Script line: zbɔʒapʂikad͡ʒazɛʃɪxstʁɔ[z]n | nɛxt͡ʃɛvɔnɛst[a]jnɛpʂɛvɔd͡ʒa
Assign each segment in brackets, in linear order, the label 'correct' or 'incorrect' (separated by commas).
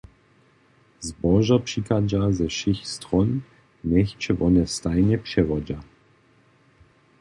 incorrect, correct